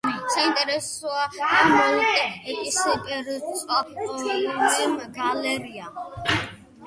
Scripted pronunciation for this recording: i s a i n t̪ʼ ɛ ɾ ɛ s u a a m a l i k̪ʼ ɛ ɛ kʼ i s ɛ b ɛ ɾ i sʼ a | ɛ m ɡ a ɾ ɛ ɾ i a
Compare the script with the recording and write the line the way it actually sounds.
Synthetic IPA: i s a i n t̪ʼ ɛ ɾ ɛ s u a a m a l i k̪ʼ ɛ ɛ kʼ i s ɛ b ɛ ɾ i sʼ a | ɛ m ɡ a l ɛ ɾ i a